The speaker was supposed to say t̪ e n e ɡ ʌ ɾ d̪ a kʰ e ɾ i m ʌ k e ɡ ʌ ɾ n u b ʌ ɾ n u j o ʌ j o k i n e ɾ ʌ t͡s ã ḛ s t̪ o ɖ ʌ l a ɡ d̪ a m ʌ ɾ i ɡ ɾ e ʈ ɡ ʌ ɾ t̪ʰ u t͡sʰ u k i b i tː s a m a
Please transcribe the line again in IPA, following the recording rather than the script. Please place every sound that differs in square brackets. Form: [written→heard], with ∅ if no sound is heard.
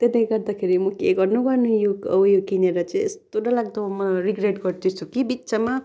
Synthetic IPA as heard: t̪ e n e ɡ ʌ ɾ d̪ a kʰ e ɾ i m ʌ k e ɡ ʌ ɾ n u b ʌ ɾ n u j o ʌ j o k i n e ɾ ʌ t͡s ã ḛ s t̪ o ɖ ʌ l a ɡ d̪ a m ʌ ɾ i ɡ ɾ e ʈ ɡ ʌ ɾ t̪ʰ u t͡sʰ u k i b i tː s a m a

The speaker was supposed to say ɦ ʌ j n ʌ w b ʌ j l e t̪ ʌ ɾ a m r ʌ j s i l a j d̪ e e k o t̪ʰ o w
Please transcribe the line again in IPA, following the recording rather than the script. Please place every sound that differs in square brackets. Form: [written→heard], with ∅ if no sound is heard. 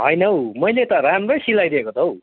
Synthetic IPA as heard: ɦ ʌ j n ʌ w [b→m] ʌ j l e t̪ ʌ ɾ a m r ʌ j s i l a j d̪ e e k o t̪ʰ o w

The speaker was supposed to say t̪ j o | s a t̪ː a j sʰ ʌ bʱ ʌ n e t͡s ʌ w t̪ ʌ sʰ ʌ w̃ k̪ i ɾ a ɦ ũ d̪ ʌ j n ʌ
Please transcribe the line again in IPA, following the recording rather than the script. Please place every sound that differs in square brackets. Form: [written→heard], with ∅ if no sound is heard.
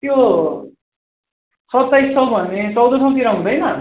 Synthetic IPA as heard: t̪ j o | s [a→ʌ] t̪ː a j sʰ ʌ bʱ ʌ n e t͡s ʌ w [t̪→d̪] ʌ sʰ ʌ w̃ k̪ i ɾ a ɦ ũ d̪ ʌ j n ʌ

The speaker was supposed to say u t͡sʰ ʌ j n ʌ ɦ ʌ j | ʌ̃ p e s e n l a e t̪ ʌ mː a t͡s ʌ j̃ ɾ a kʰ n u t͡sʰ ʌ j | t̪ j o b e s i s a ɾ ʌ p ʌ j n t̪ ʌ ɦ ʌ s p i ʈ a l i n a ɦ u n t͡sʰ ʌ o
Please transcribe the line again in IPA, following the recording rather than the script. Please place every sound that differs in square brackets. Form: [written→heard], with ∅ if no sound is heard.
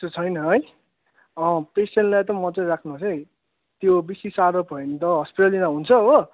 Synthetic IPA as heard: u t͡sʰ ʌ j n ʌ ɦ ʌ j | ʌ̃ p e s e n l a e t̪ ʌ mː [a→ʌ] t͡s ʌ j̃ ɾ a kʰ n u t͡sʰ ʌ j | t̪ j o b [e→i] s i s a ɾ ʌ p ʌ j n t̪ ʌ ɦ ʌ s p i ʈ a l i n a ɦ u n t͡sʰ ʌ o

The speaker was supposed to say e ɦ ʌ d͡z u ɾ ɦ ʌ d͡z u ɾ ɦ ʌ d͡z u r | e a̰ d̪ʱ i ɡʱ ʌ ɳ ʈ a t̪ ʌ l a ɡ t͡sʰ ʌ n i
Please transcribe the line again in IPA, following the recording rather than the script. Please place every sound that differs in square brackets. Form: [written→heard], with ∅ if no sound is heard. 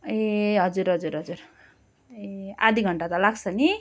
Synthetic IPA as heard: e ɦ ʌ d͡z u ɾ ɦ ʌ d͡z u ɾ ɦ ʌ d͡z u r | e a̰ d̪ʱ i ɡʱ ʌ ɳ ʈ a t̪ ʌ l a ɡ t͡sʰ ʌ n i

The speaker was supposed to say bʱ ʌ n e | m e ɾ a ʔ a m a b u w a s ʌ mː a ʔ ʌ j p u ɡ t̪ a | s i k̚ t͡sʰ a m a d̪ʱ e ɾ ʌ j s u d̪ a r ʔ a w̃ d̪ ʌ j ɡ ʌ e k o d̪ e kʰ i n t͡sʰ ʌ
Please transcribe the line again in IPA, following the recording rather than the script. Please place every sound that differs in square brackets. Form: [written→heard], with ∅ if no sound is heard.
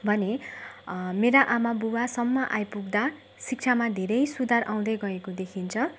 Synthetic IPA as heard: bʱ ʌ n e | m e ɾ a ʔ a m a b u w a s ʌ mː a ʔ [ʌ→a] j p u ɡ [t̪→d̪] a | s i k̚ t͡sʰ a m a d̪ʱ e ɾ ʌ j s u d̪ a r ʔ a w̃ d̪ ʌ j ɡ ʌ e k o d̪ e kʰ i n t͡sʰ ʌ

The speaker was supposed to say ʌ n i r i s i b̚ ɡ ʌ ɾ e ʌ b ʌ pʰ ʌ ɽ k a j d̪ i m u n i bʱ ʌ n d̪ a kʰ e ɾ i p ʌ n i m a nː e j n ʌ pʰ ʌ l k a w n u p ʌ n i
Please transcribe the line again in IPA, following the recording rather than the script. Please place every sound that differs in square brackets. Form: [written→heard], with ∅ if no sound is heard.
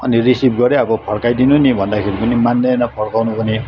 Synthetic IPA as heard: ʌ n i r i s i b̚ ɡ ʌ ɾ e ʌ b ʌ pʰ ʌ ɽ k a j d̪ i [m→n] u n i bʱ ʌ n d̪ a kʰ e ɾ i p ʌ n i m a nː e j n ʌ pʰ ʌ [l→ɽ] k a w n u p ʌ n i

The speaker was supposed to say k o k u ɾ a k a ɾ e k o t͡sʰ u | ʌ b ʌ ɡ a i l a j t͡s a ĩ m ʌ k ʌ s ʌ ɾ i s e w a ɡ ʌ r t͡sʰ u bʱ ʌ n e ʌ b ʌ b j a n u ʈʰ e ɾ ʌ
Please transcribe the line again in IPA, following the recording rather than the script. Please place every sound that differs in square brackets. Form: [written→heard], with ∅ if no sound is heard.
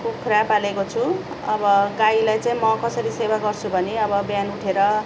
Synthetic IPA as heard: k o [k→kʰ] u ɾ a [k→p] a [ɾ→l] e k o t͡sʰ u | ʌ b ʌ ɡ a i l a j t͡s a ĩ m ʌ k ʌ s ʌ ɾ i s e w a ɡ ʌ r t͡sʰ u bʱ ʌ n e ʌ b ʌ b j a n u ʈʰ e ɾ ʌ

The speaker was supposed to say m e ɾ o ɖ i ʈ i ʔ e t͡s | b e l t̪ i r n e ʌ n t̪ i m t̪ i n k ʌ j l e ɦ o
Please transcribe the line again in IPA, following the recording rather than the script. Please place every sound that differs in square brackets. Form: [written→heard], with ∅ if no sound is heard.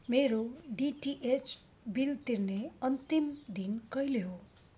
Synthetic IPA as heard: m e ɾ o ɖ i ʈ i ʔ e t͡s | b [e→i] l t̪ i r n e ʌ n t̪ i m [t̪→d̪] i n k ʌ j l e ɦ o

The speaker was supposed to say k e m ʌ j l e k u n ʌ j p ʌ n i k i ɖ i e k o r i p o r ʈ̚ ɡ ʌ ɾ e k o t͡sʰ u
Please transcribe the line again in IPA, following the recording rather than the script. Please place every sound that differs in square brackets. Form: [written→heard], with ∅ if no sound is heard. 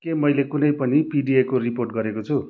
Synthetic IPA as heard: k e m ʌ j l e k u n ʌ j p ʌ n i [k→p] i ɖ i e k o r i p o r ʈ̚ ɡ ʌ ɾ e k o t͡sʰ u

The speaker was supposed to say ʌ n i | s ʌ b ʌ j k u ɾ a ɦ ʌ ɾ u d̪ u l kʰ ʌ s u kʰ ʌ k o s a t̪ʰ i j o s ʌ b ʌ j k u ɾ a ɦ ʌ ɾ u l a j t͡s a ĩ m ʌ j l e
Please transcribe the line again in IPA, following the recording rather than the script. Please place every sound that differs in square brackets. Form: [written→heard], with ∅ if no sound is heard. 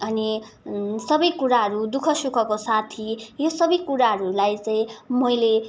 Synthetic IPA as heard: ʌ n i | s ʌ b ʌ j k u ɾ a ɦ ʌ ɾ u d̪ u [l→∅] kʰ ʌ s u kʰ ʌ k o s a t̪ʰ i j o s ʌ b ʌ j k u ɾ a ɦ ʌ ɾ u l a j t͡s a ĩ m ʌ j l e

